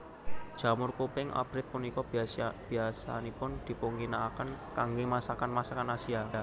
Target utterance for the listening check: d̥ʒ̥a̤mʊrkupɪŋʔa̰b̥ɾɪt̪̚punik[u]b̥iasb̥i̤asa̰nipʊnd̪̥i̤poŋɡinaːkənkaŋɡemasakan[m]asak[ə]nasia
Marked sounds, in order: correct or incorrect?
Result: incorrect: ɔ, correct, incorrect: a

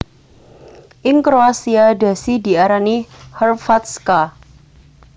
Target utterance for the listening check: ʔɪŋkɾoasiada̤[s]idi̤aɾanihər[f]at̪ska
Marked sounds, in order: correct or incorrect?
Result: correct, correct

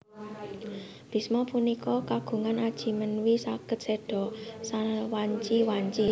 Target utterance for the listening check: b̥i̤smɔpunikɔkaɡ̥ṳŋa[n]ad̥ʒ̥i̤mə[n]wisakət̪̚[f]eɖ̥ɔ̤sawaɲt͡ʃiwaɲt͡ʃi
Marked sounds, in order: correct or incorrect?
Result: correct, correct, incorrect: s

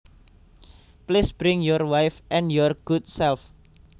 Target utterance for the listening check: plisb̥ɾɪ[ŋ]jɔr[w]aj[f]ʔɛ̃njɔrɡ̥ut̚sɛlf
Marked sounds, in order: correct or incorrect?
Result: correct, correct, correct

